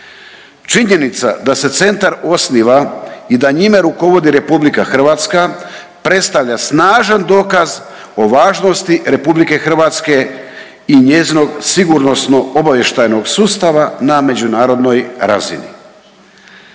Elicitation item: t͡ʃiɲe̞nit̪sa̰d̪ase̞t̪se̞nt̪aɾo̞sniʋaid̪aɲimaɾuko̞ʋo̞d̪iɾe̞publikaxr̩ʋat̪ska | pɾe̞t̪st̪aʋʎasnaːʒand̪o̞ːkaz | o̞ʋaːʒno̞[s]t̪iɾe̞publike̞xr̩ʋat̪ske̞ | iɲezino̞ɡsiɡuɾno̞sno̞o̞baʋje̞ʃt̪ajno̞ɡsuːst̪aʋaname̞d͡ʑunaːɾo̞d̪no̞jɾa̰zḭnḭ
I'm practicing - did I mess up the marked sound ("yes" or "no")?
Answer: no